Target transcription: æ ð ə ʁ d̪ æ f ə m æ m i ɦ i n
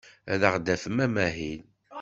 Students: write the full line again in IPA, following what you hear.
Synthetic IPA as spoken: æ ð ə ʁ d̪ æ f ə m æ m æ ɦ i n